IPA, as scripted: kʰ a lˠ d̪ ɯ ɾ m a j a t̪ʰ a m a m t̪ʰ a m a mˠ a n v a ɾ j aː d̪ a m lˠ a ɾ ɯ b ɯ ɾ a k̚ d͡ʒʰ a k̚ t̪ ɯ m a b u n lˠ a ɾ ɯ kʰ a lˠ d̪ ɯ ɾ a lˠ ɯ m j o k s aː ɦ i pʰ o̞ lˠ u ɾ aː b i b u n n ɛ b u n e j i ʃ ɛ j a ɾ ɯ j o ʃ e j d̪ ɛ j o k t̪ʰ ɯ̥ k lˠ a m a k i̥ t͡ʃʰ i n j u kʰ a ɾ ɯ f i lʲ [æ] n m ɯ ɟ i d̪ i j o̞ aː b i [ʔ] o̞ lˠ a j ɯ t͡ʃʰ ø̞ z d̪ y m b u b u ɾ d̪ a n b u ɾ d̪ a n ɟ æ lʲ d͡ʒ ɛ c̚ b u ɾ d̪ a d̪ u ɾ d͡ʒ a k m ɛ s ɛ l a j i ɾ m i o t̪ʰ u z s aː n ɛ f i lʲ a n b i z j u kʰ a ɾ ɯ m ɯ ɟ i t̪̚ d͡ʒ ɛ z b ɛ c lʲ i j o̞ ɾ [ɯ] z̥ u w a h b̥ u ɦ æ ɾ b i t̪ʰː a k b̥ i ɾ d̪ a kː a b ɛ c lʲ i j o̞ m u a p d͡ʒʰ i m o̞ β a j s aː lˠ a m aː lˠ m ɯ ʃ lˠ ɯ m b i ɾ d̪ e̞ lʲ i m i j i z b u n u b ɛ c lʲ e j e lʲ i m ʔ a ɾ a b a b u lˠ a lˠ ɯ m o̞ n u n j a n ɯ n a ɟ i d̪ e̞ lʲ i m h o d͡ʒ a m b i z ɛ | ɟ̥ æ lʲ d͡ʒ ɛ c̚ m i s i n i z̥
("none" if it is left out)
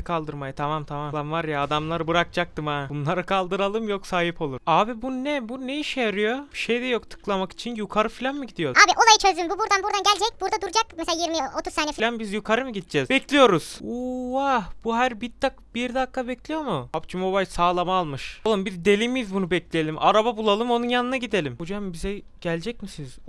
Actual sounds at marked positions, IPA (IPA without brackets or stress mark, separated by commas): a, ʔ, u